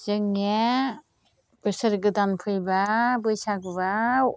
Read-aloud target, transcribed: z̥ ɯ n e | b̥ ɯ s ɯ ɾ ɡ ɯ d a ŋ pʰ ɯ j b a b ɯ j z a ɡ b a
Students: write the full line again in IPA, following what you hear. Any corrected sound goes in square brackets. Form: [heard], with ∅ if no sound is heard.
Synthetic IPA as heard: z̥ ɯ [ŋ] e | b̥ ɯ s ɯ ɾ ɡ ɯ d a [n] pʰ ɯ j b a b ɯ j [s] a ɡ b a